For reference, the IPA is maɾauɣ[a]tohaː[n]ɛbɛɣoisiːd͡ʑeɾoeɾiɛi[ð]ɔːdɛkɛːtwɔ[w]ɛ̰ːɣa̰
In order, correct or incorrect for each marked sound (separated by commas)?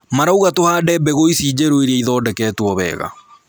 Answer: correct, incorrect, correct, incorrect